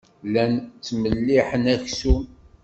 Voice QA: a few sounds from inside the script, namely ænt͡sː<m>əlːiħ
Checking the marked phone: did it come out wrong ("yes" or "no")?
no